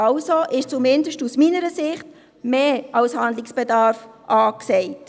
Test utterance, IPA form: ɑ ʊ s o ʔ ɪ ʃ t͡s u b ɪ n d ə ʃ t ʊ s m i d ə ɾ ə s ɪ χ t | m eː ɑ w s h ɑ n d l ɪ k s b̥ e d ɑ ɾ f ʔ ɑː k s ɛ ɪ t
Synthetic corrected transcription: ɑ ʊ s o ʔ ɪ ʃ t͡s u m ɪ n d ə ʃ t u s m i n ə ɾ ə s ɪ χ t | m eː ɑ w s h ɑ n d l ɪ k s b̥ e d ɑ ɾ f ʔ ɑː k s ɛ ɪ t